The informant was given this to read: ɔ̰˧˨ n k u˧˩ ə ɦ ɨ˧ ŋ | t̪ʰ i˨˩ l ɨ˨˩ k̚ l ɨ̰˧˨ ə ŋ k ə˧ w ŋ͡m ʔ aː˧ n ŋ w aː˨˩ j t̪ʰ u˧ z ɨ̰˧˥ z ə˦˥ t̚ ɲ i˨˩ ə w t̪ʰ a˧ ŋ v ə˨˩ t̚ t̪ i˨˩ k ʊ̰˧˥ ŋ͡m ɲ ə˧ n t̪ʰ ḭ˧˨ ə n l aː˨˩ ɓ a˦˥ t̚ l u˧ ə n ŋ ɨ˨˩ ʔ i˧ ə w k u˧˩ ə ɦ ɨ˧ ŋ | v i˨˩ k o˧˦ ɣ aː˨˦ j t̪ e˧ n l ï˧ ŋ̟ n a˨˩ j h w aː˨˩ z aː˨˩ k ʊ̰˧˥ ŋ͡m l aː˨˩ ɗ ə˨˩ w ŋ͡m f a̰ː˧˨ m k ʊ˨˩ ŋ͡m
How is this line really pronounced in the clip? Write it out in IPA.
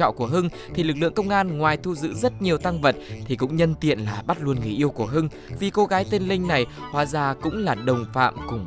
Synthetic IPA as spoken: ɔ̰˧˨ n k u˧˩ ə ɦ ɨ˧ ŋ | t̪ʰ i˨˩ l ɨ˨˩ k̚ l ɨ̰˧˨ ə ŋ k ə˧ w ŋ͡m ʔ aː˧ n ŋ w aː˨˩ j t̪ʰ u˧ z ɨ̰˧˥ z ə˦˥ t̚ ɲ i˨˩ ə w t̪ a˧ ŋ v ə˨˩ t̚ t̪ʰ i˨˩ k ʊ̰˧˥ ŋ͡m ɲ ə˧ n t̪ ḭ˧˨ ə n l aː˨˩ ɓ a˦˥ t̚ l u˧ ə n ŋ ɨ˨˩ ʔ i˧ ə w k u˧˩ ə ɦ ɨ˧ ŋ | v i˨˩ k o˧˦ ɣ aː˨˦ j t̪ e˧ n l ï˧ ŋ̟ n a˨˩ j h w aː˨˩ z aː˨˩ k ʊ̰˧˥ ŋ͡m l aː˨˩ ɗ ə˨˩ w ŋ͡m f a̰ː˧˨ m k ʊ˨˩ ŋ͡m